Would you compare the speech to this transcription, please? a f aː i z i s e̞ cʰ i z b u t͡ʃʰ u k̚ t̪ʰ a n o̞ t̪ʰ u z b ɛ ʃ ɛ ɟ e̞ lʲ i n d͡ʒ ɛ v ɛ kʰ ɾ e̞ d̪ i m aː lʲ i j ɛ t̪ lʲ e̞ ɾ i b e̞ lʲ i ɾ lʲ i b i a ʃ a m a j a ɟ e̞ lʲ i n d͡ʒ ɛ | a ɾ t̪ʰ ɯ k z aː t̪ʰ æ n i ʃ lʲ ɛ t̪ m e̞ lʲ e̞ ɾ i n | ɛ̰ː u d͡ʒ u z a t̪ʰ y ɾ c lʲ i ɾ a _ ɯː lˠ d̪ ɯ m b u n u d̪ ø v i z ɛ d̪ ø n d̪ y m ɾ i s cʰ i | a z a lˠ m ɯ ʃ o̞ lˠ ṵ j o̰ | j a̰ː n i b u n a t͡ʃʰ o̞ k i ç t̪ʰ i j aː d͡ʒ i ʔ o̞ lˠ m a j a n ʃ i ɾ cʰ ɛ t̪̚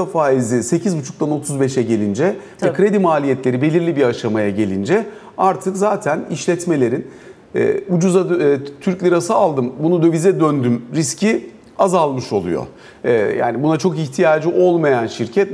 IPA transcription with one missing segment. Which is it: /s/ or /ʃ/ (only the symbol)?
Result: s